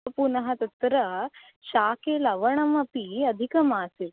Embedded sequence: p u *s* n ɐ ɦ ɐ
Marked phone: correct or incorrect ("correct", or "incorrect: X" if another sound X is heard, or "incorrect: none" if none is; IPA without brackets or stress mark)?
incorrect: none